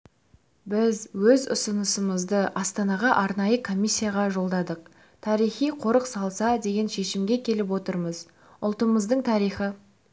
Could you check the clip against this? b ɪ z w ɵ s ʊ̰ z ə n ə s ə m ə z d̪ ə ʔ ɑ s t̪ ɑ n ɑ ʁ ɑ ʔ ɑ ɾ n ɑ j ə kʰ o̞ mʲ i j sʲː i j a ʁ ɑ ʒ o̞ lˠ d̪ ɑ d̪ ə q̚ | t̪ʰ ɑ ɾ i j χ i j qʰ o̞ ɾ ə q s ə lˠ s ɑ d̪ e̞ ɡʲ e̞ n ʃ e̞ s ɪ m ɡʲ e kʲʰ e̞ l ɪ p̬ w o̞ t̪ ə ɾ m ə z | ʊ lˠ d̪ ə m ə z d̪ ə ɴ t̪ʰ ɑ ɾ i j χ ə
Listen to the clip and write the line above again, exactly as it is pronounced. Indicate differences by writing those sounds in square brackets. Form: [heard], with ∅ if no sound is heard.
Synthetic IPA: b ɪ z w ɵ [z] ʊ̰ [s] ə n ə s ə m ə z d̪ ə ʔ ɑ s t̪ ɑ n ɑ ʁ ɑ ʔ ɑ ɾ n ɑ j ə kʰ o̞ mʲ i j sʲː i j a ʁ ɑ ʒ o̞ lˠ d̪ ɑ d̪ ə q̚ | t̪ʰ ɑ ɾ i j χ i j qʰ o̞ ɾ ə q s [ɑ] lˠ s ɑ d̪ e̞ ɡʲ e̞ n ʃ e̞ [ʃ] ɪ m ɡʲ e kʲʰ e̞ l ɪ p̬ w o̞ t̪ ə ɾ m ə z | ʊ lˠ [t̪] ə m ə z d̪ ə ɴ t̪ʰ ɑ ɾ i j χ ə